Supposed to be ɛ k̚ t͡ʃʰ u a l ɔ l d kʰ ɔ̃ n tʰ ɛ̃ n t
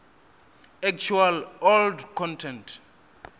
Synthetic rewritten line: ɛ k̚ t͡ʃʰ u a l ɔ l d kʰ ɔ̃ n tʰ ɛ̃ n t

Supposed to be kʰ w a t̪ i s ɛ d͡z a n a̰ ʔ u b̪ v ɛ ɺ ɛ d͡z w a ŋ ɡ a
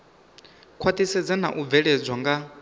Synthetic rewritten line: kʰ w a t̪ i s ɛ d͡z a n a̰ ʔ u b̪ v ɛ ɺ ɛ d͡z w a ŋ ɡ a

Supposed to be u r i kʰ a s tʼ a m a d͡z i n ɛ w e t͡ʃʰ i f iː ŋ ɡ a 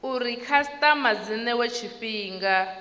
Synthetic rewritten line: u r i kʰ a s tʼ a m a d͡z i n ɛ w e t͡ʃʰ i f iː ŋ ɡ a

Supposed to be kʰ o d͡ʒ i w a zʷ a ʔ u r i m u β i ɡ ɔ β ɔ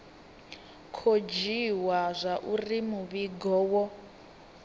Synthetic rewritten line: kʰ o d͡ʒ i w a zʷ a ʔ u r i m u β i ɡ ɔ w ɔ

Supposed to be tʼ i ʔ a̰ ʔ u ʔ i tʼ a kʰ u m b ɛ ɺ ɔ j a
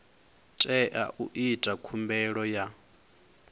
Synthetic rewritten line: tʼ ɛ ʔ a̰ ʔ u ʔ i tʼ a kʰ u m b ɛ ɺ ɔ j a

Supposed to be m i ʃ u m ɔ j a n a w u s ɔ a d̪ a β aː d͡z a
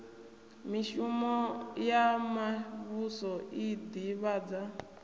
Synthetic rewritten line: m i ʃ u m ɔ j a m a β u s ɔ i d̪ i β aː d͡z a

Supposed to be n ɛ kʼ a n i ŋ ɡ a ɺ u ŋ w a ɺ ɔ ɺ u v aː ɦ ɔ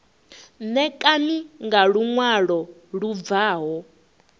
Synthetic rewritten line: n ɛ kʼ a n i ŋ ɡ a ɺ u ŋ w a ɺ ɔ ɺ u v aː ɦ ɔ

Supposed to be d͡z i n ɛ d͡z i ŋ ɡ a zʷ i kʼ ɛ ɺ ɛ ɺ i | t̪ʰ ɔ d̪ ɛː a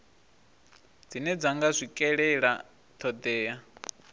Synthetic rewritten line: d͡z i n ɛ d͡z a ŋ ɡ a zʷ i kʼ ɛ ɺ ɛ ɺ a | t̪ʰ ɔ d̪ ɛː a

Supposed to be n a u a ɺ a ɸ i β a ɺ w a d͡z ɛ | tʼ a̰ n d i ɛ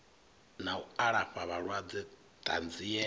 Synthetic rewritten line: n a u a ɺ a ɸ a β a ɺ w a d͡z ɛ | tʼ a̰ n d͡z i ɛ

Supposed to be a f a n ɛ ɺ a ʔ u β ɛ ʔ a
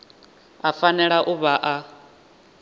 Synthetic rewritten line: a f a n ɛ ɺ a ʔ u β a ʔ a

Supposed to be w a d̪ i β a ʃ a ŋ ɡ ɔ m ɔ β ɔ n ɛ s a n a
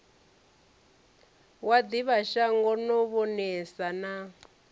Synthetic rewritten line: w a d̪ i β a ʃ a ŋ ɡ ɔ n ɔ β ɔ n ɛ s a n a

